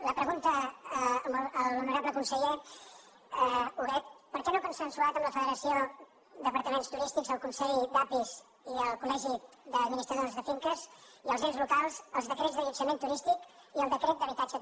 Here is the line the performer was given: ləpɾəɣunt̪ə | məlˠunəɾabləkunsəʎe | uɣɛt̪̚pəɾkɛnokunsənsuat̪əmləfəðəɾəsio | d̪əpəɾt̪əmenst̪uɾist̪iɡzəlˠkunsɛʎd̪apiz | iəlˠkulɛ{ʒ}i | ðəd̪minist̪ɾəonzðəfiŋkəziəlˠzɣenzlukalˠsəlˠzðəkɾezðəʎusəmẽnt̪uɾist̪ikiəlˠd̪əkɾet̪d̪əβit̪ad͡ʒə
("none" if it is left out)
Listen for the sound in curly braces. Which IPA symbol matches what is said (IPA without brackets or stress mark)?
ʒ